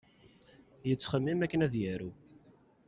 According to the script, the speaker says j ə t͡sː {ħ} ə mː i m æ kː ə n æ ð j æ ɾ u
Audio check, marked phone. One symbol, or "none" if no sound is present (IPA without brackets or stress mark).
χ